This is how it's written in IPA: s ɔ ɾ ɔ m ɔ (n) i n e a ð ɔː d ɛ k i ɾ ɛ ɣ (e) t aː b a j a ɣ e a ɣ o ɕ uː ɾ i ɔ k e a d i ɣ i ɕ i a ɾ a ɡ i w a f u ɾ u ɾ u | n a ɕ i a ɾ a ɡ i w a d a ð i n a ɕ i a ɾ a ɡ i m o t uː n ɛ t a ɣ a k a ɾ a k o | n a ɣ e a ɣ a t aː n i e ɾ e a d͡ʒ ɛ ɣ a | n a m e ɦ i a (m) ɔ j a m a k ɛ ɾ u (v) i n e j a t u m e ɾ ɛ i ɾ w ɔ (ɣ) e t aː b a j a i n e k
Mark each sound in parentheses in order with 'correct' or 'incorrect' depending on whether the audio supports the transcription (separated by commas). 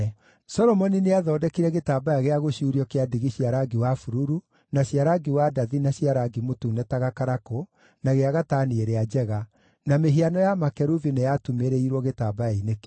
correct, correct, incorrect, correct, correct